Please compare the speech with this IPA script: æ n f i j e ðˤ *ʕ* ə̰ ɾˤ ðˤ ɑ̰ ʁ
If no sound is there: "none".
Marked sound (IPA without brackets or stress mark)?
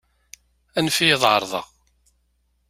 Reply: ʕ